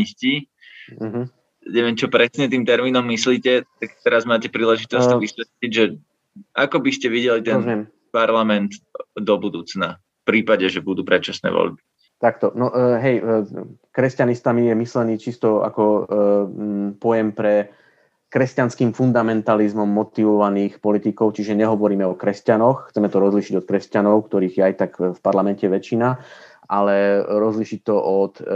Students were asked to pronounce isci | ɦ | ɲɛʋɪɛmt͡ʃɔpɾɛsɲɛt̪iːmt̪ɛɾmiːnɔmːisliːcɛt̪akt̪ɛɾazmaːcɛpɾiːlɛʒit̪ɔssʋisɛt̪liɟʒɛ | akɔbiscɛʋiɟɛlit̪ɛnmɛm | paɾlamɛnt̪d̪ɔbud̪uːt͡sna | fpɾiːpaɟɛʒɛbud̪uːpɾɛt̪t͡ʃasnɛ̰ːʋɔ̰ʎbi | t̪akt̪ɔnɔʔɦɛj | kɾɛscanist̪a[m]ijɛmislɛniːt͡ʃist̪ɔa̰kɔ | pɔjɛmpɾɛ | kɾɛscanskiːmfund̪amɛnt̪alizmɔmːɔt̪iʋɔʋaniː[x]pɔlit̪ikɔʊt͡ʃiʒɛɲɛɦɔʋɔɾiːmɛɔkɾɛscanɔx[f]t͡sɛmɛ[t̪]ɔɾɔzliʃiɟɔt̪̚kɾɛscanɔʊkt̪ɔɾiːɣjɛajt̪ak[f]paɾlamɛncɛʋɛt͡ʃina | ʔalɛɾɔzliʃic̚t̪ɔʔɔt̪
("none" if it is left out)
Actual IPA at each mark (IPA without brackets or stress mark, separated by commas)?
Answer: m, x, x, t̪, f